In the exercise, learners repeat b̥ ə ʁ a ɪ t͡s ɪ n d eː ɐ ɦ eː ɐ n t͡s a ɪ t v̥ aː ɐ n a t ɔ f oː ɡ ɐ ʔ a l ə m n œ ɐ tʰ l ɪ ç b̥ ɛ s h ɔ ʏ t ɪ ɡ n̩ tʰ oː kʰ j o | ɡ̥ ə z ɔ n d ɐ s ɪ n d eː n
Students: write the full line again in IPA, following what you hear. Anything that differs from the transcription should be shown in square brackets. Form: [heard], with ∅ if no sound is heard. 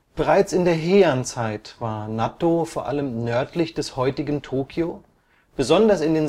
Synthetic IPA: b̥ ə ʁ a ɪ t͡s ɪ n d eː ɐ ɦ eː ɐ n t͡s a ɪ t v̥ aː ɐ n a t [o] f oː [∅] ɐ ʔ a l ə m n œ ɐ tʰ l ɪ ç [d̥] ɛ s h ɔ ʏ t ɪ ɡ n̩ tʰ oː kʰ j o | [b̥] ə z ɔ n d ɐ s ɪ n d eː n